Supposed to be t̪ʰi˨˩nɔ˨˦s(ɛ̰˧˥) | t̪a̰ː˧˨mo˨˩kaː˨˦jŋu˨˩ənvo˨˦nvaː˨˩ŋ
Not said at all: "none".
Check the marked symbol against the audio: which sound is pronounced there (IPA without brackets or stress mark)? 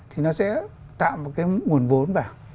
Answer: ɛ̰˧˥